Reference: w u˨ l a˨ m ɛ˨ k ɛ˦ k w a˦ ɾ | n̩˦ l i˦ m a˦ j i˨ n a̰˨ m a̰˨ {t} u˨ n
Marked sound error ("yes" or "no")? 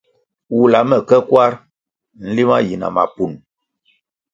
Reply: yes